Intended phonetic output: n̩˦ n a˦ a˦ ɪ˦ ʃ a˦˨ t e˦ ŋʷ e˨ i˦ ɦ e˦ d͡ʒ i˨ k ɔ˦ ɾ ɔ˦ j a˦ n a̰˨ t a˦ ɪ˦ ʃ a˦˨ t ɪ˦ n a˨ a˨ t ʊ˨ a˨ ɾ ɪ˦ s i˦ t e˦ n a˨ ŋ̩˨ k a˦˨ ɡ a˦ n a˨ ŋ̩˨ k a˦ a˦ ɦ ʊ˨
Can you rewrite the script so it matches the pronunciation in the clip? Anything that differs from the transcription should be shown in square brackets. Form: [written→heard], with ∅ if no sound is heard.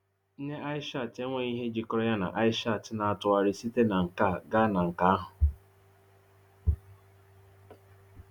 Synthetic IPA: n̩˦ n [a˦→e˦] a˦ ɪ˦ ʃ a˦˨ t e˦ ŋʷ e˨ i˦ ɦ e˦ d͡ʒ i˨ k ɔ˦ ɾ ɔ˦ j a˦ n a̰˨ [t→ʔ] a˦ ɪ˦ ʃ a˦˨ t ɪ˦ n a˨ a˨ t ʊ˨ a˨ ɾ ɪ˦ s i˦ t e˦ n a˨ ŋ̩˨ k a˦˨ ɡ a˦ n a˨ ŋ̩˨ k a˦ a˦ ɦ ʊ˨